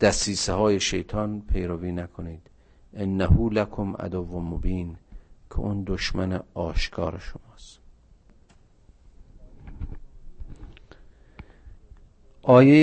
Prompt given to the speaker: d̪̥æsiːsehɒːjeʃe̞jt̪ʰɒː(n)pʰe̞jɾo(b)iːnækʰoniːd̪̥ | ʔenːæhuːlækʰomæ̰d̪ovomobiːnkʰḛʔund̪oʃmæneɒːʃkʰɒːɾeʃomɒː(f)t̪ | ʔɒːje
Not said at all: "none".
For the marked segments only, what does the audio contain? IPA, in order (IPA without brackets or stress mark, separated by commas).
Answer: n, v, s